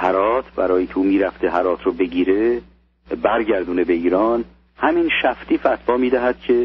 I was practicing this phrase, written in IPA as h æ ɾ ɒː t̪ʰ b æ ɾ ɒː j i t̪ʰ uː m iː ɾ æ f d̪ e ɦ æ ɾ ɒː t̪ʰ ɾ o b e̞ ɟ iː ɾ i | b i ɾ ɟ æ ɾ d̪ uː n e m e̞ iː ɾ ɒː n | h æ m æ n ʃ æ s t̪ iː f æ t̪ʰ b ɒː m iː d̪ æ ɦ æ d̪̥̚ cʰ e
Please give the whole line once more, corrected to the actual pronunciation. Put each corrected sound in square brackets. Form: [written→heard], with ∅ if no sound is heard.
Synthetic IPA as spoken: h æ ɾ ɒː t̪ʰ b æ ɾ ɒː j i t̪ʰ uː m iː ɾ æ f [d̪→t̪] e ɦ æ ɾ ɒː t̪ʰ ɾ o b e̞ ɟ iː ɾ [i→e] | b [i→æ] ɾ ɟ æ ɾ d̪ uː n e [m→b] e̞ iː ɾ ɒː n | h æ m [æ→i] n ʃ æ [s→f] t̪ iː f æ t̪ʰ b ɒː m iː d̪ æ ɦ æ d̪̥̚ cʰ e